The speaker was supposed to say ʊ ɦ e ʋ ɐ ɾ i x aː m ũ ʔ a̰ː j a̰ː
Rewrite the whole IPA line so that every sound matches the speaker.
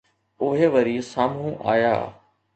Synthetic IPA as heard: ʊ ɦ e ʋ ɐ ɾ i s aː m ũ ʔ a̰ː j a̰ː